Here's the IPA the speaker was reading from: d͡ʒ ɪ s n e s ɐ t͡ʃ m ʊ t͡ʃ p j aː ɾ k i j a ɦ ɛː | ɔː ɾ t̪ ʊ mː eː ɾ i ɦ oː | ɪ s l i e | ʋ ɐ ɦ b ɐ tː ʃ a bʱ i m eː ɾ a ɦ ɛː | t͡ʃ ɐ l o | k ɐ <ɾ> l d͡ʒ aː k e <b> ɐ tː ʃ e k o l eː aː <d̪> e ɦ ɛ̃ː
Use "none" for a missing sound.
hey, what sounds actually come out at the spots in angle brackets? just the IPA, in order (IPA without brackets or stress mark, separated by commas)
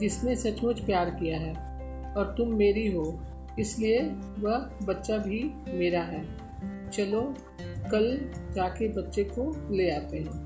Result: none, b, t̪